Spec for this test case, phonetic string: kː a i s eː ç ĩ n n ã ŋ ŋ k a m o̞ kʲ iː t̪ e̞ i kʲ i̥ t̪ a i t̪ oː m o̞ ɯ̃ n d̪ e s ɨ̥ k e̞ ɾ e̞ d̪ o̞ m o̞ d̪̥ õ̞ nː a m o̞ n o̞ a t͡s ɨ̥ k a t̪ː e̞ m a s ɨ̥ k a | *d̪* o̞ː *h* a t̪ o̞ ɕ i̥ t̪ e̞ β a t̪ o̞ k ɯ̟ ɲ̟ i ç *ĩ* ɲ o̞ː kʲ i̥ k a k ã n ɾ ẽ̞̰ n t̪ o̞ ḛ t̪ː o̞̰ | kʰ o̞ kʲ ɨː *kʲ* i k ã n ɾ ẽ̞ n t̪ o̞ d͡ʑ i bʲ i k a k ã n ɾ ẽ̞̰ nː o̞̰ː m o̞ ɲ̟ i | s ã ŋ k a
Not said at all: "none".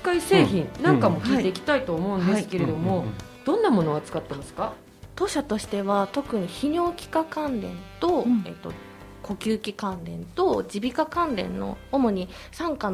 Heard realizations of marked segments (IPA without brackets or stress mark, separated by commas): t̪, ɕ, i, kʲ